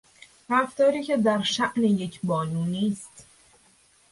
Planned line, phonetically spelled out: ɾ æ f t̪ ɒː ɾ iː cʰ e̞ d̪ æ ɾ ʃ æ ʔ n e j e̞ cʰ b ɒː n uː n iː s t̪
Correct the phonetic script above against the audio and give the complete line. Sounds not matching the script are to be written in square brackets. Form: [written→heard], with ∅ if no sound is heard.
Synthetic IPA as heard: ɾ æ f t̪ ɒː ɾ iː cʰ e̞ d̪ æ ɾ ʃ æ ʔ n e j e̞ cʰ b ɒː n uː n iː s t̪